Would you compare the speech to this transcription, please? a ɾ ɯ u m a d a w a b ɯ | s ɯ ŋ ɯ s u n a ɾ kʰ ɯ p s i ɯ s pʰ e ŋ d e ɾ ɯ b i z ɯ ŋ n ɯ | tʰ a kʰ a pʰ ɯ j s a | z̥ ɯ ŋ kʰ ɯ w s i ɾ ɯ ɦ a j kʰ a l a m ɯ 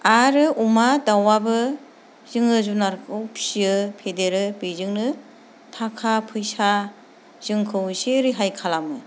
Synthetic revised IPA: a ɾ ɯ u m a d a w a b ɯ | z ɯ ŋ ɯ z u n a ɾ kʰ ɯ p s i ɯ pʰ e d e ɾ ɯ b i z ɯ ŋ n ɯ | tʰ a kʰ a pʰ ɯ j s a | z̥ ɯ ŋ kʰ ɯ w s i ɾ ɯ ɦ a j kʰ a l a m ɯ

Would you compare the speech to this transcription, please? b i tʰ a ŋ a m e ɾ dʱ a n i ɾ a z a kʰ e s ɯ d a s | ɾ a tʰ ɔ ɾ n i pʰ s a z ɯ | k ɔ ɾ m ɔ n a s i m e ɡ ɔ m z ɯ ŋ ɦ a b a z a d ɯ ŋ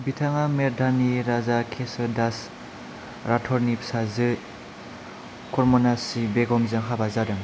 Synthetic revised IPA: b i tʰ a ŋ a m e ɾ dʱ a n i ɾ a z a kʰ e s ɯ d a s | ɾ a tʰ ɔ ɾ n i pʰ s a z ɯ | k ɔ ɾ m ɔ n a s i b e ɡ ɔ m z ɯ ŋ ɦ a b a z a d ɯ ŋ

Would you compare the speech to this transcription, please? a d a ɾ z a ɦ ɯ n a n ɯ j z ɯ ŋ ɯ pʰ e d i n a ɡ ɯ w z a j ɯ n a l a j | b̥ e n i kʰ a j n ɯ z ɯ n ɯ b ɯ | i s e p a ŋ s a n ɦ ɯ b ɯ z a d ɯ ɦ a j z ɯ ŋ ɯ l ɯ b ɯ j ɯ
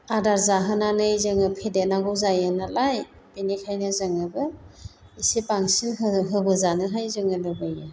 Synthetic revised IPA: a d a ɾ z a ɦ ɯ n a n ɯ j z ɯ ŋ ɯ pʰ e d e n a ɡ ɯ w z a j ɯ n a l a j | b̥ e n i kʰ a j n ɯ z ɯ ŋ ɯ b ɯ | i s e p a ŋ s i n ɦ ɯ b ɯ z a n ɯ ɦ a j z ɯ ŋ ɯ l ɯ b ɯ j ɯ

